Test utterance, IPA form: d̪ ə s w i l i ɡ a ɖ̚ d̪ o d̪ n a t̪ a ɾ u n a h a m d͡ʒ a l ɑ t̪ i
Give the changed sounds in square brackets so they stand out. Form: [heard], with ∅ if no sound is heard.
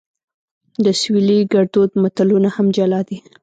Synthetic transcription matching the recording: d̪ ə s w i l i ɡ a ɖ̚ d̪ o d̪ [m] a t̪ a [l] u n a h a m d͡ʒ a l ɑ [d̪] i